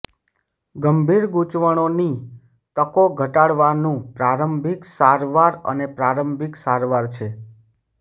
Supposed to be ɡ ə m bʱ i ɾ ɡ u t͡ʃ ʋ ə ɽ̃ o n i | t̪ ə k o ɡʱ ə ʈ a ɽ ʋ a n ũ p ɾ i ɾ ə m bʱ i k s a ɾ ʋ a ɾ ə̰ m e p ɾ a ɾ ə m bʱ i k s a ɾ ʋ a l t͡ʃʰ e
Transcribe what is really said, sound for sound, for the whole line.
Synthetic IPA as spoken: ɡ ə m bʱ i ɾ ɡ u t͡ʃ ʋ ə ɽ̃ o n i | t̪ ə k o ɡʱ ə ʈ a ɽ ʋ a n ũ p ɾ a ɾ ə m bʱ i k s a ɾ ʋ a ɾ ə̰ n e p ɾ a ɾ ə m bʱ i k s a ɾ ʋ a ɾ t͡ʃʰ e